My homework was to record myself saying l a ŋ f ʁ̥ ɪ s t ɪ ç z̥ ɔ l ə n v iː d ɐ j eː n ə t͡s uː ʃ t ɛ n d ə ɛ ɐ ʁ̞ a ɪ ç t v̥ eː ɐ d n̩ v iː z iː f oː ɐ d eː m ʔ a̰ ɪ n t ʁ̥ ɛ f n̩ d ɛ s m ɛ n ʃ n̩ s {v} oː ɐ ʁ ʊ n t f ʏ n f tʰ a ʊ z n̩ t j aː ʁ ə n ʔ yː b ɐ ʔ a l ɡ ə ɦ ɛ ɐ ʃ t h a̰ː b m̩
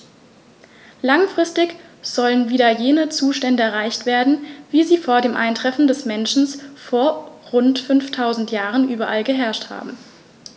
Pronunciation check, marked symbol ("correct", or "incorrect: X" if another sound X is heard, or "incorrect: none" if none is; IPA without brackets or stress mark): incorrect: f